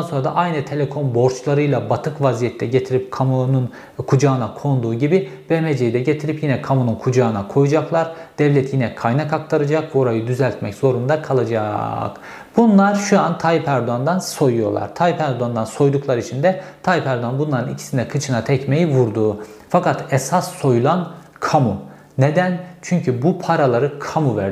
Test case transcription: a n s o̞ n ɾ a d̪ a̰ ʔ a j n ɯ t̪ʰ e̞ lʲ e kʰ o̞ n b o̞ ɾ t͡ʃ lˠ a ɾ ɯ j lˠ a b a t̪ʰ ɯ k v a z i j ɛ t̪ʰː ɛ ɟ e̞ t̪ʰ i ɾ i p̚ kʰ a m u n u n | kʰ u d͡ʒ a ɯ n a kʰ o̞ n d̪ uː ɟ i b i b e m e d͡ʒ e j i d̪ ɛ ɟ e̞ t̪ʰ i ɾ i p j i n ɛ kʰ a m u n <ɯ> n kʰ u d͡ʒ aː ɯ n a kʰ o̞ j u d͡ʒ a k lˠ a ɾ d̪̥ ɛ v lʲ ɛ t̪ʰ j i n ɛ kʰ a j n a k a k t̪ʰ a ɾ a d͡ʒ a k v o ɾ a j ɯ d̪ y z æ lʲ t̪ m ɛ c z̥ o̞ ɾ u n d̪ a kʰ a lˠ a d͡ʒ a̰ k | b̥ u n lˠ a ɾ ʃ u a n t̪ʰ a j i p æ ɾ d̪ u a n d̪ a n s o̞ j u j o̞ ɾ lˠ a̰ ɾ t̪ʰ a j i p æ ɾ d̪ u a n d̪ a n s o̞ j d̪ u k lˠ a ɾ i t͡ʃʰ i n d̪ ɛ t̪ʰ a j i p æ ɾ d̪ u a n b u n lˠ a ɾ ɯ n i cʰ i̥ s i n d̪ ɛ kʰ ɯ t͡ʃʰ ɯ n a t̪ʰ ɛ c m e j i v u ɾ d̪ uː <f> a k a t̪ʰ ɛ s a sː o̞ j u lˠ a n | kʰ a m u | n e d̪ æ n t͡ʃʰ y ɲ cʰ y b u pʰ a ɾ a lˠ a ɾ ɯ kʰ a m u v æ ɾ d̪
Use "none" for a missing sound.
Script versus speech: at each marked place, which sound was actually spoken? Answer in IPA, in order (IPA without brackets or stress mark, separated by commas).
u, f